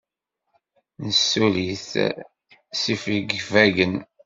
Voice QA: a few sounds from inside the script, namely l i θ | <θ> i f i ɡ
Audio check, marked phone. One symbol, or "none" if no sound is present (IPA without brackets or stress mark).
s